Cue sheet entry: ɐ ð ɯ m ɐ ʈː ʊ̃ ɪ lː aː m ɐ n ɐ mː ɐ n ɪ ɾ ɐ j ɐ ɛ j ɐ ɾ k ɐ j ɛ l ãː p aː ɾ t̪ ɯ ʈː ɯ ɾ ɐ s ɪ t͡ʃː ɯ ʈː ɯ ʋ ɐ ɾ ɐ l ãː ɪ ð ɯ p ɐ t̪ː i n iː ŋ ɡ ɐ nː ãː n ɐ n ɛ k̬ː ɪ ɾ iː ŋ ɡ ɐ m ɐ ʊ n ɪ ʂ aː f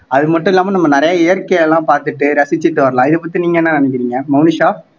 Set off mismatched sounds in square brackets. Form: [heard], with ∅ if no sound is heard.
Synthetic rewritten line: ɐ ð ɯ m ɐ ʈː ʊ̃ ɪ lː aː m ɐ n ɐ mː ɐ n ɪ ɾ ɐ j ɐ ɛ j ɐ ɾ k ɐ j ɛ l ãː p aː ɾ t̪ ɯ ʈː ɯ ɾ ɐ s ɪ t͡ʃː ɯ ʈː ɯ ʋ ɐ ɾ ɐ l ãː ɪ ð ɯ p ɐ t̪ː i n iː ŋ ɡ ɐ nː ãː n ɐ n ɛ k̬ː ɪ ɾ iː ŋ ɡ ɐ m ɐ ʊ n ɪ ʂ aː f